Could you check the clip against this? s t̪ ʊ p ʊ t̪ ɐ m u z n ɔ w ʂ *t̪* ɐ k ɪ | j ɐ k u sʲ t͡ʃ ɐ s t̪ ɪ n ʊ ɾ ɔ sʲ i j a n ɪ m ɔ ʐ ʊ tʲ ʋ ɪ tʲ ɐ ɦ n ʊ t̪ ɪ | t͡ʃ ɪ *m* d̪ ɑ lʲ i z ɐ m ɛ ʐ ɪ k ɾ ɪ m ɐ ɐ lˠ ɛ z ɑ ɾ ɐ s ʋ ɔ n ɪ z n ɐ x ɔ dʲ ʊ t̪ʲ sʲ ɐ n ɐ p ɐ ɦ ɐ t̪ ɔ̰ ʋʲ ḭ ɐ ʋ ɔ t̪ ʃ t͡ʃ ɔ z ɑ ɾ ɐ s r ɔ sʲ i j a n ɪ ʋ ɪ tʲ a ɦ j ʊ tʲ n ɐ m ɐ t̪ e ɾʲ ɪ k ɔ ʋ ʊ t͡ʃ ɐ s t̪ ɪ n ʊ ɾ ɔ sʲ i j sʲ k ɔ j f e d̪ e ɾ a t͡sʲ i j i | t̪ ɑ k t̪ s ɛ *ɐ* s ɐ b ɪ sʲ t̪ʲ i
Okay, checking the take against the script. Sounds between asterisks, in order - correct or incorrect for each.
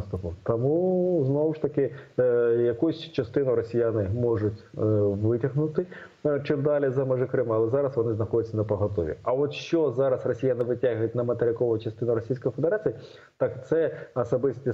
correct, correct, correct

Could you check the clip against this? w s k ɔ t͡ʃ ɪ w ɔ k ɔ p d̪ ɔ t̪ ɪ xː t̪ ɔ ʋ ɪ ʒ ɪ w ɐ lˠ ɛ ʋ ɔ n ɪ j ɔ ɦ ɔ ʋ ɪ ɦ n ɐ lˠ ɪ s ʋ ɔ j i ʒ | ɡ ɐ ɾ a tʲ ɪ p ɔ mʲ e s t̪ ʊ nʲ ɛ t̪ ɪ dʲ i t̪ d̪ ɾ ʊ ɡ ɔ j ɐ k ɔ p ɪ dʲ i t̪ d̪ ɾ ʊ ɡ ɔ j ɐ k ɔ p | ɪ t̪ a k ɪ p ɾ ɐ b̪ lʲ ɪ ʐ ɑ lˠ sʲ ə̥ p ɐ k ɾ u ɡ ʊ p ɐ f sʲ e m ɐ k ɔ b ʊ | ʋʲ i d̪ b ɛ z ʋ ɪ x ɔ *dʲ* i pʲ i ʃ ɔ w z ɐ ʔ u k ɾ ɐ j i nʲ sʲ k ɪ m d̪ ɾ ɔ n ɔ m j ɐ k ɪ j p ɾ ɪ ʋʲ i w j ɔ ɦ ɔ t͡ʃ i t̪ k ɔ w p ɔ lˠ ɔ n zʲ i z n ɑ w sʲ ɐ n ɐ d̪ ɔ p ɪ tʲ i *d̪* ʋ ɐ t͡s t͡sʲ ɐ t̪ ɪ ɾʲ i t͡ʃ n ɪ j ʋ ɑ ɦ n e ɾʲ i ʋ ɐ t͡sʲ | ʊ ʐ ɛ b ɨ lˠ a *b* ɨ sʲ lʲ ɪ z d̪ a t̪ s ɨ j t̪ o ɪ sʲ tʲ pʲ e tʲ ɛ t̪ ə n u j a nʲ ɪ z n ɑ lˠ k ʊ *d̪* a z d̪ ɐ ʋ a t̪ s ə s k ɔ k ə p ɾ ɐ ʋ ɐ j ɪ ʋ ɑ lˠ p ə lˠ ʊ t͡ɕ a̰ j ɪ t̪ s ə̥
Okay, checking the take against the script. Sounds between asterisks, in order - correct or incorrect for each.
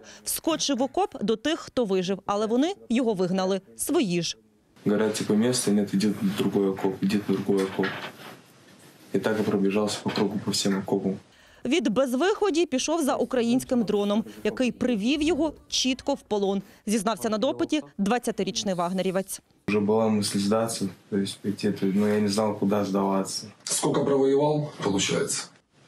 correct, correct, incorrect, correct

